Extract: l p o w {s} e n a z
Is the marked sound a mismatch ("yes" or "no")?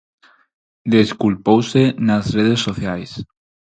no